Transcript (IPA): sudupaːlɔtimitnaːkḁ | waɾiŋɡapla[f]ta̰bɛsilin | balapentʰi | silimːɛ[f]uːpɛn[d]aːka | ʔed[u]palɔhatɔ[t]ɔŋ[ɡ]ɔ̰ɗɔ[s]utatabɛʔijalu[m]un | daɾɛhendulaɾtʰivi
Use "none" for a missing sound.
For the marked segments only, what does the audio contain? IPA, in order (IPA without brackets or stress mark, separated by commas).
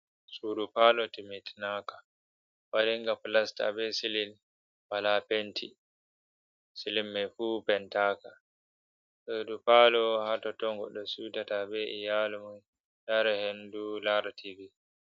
s, f, t, u, t, ɡ, s, m